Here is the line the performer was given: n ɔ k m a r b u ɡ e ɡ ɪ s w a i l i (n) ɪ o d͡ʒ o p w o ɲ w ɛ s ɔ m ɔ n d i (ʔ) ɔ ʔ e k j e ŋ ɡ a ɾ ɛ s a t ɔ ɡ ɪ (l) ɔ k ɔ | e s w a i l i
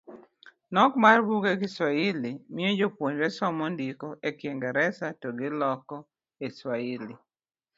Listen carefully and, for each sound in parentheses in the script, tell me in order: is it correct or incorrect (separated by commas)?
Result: incorrect, incorrect, correct